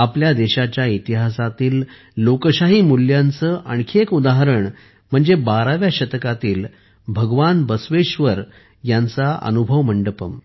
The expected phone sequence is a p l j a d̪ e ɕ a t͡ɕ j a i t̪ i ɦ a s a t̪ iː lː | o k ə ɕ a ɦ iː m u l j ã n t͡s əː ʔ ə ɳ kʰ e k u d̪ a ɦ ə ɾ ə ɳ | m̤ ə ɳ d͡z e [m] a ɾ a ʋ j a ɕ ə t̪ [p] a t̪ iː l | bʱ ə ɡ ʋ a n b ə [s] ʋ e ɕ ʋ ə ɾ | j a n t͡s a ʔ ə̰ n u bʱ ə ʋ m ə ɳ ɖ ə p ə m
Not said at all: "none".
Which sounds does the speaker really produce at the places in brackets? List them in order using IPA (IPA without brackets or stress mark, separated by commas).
b, k, s